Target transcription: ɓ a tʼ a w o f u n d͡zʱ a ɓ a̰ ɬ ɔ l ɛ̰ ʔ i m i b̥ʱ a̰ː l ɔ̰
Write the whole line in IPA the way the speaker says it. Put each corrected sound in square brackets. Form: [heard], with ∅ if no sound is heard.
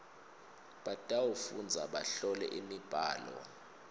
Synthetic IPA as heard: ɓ a tʼ a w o f u n d͡zʱ a ɓ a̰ ɬ ɔ l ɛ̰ ʔ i m i b̥ʱ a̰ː l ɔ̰